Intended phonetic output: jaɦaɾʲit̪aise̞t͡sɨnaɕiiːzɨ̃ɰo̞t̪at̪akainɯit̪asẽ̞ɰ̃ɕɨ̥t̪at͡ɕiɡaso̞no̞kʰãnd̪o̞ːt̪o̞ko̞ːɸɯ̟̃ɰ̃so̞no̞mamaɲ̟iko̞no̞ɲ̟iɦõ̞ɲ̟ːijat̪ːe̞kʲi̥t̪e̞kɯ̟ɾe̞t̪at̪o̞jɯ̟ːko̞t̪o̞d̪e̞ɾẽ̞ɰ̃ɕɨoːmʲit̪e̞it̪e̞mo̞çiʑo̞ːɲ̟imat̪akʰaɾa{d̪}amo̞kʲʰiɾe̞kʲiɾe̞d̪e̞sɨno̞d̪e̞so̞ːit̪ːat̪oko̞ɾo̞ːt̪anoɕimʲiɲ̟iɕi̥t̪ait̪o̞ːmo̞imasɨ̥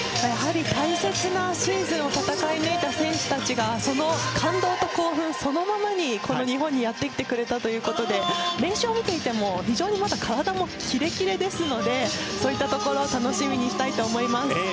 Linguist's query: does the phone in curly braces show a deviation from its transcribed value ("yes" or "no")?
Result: no